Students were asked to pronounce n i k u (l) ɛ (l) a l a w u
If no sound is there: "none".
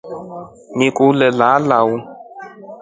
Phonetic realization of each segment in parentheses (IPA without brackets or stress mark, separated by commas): l, l